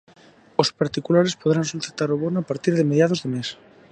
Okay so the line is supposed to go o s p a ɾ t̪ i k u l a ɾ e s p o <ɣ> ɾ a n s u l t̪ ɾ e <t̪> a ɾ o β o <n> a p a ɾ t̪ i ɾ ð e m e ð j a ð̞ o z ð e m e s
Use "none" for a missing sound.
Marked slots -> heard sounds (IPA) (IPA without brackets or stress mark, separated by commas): ð, t̪, n